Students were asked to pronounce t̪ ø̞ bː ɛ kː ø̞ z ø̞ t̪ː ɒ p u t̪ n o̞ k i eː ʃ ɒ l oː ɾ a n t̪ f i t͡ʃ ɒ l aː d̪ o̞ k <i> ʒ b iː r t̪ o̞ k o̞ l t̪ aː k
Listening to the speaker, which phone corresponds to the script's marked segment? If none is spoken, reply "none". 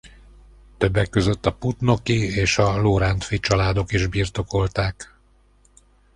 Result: i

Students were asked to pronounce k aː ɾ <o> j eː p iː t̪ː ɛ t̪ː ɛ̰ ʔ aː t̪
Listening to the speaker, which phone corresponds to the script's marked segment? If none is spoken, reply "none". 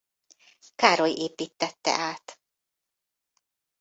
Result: o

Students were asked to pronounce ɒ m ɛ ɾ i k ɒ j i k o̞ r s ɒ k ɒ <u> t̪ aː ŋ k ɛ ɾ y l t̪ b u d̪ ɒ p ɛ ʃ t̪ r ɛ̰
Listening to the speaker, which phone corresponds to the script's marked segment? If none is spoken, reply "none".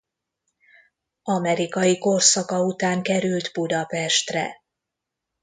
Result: u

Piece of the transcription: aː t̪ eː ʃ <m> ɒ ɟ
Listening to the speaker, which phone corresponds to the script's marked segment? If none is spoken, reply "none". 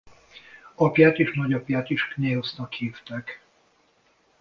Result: n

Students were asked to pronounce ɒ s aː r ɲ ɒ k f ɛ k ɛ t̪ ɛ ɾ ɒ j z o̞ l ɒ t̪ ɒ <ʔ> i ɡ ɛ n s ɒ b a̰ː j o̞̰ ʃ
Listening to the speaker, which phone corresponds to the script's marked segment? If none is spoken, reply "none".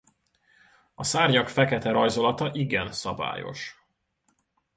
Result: ʔ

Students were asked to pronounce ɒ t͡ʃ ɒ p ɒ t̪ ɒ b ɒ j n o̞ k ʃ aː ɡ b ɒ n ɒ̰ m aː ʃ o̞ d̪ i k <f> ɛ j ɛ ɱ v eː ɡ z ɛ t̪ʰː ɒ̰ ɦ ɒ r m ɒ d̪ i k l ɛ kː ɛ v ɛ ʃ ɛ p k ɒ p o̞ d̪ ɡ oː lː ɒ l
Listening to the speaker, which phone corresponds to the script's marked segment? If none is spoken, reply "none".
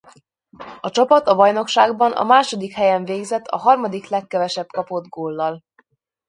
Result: h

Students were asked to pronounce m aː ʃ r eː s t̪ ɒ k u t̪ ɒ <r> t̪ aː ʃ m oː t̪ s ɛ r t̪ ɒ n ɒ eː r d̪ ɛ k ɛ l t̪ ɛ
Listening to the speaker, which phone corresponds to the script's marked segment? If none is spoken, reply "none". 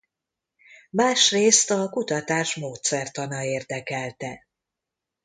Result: none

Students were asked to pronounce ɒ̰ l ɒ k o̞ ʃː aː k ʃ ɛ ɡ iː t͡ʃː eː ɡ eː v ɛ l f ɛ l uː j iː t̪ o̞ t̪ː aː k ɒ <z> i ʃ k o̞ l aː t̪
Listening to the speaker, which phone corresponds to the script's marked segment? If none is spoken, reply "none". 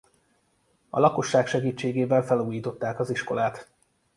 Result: z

